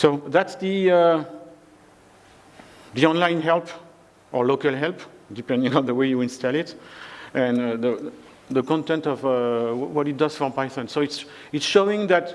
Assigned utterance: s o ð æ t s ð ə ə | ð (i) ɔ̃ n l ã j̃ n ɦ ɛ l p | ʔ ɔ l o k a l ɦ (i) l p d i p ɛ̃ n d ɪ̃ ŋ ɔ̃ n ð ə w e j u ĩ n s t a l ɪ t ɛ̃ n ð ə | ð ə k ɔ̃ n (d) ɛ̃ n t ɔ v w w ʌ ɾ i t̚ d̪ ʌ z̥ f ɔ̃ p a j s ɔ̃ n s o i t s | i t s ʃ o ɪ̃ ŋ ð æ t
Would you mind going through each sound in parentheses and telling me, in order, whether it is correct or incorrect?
correct, incorrect: ɛ, incorrect: t

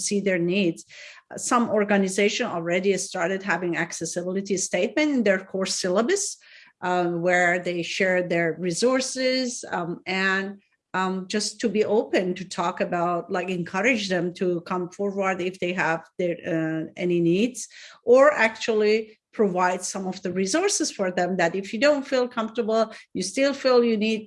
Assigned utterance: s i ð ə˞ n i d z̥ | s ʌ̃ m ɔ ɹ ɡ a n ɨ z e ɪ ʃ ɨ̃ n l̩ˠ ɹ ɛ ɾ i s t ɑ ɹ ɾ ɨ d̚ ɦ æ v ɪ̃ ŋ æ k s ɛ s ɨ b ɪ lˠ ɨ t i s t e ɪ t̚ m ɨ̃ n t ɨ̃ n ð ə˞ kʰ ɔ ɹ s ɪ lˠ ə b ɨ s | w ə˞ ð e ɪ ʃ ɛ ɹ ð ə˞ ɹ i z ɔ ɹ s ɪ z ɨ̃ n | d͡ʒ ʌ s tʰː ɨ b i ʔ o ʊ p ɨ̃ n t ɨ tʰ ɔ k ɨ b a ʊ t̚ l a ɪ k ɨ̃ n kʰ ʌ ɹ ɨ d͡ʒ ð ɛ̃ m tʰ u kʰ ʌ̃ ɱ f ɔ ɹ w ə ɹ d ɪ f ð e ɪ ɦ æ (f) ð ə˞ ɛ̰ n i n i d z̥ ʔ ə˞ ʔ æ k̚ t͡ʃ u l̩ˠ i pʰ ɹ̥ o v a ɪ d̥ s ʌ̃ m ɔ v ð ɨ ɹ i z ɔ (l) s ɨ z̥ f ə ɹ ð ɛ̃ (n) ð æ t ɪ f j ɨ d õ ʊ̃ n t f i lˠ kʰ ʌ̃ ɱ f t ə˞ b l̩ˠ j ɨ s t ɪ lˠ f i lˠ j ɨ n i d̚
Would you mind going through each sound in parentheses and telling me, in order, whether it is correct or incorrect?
incorrect: v, incorrect: ɹ, incorrect: m

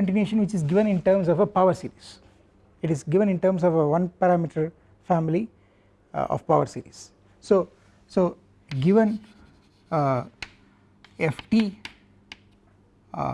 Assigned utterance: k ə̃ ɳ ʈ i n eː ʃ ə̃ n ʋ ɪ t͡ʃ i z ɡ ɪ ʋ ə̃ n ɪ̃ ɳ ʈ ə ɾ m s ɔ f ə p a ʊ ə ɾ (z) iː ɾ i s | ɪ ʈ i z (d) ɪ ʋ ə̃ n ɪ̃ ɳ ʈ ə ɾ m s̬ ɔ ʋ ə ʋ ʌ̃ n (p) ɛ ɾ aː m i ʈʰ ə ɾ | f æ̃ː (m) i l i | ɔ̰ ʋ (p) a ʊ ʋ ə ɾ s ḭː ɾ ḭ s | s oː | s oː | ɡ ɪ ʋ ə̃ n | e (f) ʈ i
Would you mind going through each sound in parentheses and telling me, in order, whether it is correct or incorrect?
incorrect: s, incorrect: ɡ, correct, correct, correct, correct

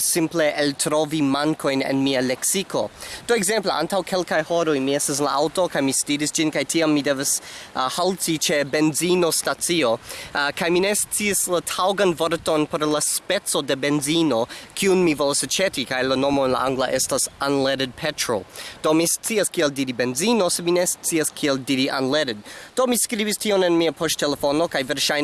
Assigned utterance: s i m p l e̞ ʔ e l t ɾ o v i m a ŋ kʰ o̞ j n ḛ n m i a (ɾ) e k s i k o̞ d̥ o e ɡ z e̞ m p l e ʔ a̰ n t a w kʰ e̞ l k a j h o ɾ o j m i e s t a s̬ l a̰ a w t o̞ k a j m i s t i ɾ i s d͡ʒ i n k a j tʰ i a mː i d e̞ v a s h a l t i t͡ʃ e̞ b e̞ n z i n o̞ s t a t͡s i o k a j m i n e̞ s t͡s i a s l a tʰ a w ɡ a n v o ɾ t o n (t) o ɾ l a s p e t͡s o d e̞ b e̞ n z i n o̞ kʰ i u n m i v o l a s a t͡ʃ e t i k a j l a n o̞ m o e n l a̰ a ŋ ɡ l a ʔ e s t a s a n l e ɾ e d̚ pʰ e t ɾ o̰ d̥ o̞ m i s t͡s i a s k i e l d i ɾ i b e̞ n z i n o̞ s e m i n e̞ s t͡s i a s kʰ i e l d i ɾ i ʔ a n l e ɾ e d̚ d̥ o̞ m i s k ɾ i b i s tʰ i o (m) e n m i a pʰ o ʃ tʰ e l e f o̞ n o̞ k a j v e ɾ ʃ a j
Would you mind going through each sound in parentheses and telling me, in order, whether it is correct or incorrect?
incorrect: l, incorrect: p, incorrect: n

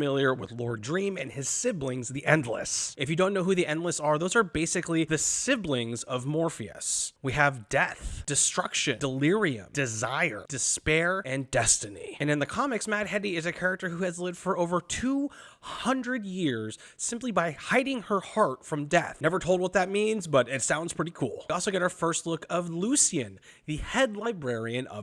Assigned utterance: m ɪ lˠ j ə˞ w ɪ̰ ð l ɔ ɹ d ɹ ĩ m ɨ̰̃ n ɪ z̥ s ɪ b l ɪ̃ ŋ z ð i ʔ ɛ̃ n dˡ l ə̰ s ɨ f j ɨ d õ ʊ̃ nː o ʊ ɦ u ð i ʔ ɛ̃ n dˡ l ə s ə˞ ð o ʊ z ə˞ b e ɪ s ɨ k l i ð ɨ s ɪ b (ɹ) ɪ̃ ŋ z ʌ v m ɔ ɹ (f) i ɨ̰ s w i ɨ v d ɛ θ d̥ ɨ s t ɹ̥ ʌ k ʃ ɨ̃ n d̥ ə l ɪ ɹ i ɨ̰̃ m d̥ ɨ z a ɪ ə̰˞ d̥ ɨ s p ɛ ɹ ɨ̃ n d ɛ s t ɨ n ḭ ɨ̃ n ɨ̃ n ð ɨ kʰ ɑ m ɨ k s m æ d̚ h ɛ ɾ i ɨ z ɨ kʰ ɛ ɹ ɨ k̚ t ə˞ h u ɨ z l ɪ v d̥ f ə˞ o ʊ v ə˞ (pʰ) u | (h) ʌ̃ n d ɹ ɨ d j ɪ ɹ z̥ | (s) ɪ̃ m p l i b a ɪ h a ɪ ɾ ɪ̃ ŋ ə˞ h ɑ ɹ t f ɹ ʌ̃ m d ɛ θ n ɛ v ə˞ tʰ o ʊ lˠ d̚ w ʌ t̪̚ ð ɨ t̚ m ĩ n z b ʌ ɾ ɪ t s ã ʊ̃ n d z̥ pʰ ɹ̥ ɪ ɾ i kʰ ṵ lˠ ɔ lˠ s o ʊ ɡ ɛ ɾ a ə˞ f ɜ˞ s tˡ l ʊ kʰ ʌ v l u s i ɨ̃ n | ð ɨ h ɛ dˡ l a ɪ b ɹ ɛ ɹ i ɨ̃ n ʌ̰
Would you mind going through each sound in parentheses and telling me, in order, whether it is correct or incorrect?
incorrect: l, correct, incorrect: tʰ, correct, correct

